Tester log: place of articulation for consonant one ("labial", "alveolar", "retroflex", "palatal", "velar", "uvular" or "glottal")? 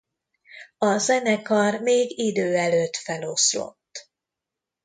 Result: alveolar